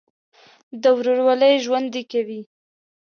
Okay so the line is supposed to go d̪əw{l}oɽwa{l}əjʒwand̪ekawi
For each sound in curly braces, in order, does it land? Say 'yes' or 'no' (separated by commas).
no, yes